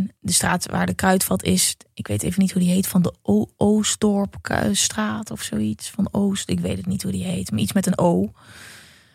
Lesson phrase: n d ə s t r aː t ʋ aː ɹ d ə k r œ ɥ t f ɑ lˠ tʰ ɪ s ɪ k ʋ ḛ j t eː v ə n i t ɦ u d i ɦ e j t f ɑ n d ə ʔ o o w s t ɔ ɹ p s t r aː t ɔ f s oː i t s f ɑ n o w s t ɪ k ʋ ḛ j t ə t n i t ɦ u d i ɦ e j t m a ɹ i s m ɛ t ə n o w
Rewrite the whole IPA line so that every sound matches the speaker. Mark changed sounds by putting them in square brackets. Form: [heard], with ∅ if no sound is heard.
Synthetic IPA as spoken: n d ə s t r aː t ʋ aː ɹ d ə k r œ ɥ t f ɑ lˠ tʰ ɪ s ɪ k ʋ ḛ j t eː v ə n i t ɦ u d i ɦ e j t f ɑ n d ə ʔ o o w s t ɔ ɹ p s t r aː t ɔ f s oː i t s f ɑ n o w s t ɪ k ʋ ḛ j t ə t n i t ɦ u d i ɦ e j t m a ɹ i s m ɛ t ə n o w